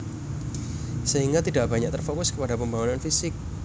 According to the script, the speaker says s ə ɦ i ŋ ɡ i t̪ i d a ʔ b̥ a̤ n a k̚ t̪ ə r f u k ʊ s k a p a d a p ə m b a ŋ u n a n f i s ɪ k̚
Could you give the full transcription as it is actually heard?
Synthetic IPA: s ə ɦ i ŋ ɡ a t̪ i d a ʔ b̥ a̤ ɲ a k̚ t̪ ə r f o k ʊ s k ə p a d a p ə m b a ŋ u n a n f i s ɪ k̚